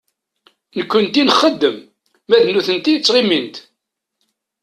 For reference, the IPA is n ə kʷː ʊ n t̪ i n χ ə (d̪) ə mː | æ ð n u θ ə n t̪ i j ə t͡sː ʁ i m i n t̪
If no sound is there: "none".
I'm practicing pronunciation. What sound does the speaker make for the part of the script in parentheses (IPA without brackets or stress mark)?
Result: d̪ː